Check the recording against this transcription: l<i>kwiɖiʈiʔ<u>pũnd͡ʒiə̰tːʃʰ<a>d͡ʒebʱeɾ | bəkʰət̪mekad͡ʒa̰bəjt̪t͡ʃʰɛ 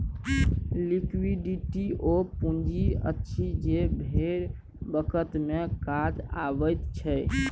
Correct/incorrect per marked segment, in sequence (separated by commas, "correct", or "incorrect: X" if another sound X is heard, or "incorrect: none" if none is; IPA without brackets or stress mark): correct, incorrect: o, incorrect: i